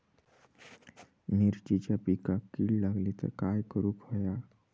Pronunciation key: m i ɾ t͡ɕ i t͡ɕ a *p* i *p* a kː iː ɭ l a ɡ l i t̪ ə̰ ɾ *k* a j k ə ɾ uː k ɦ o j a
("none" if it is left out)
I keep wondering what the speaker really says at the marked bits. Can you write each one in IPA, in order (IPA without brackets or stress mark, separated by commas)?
p, k, k